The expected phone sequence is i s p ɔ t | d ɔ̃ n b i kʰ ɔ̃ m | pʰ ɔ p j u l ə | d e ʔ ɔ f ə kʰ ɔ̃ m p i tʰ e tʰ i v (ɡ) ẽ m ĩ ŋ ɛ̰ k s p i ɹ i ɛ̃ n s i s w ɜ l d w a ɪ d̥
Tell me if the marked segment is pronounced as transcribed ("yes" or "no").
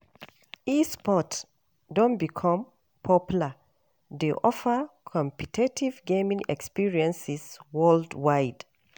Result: yes